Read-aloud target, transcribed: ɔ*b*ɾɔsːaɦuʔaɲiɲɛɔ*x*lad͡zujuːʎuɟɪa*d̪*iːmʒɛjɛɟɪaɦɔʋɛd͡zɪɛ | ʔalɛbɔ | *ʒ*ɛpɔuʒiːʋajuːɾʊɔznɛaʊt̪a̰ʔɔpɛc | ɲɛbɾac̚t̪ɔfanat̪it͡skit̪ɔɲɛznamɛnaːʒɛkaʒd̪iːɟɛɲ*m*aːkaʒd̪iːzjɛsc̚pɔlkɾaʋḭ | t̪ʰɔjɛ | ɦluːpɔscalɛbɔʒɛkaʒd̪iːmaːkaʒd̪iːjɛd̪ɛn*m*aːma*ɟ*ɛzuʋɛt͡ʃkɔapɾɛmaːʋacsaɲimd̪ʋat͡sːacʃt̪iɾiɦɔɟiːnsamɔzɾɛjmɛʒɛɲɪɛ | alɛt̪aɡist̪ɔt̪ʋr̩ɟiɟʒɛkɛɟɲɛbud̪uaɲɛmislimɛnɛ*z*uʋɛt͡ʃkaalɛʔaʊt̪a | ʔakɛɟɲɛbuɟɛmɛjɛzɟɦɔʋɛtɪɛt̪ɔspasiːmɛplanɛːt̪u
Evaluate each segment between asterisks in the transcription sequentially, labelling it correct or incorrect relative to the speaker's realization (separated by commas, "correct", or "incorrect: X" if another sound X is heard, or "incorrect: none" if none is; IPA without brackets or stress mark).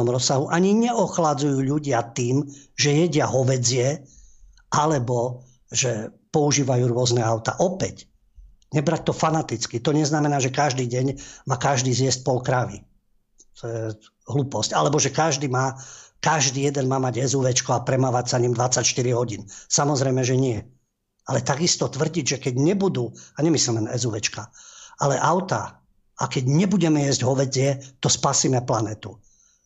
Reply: incorrect: m, correct, incorrect: t̪, correct, correct, correct, correct, correct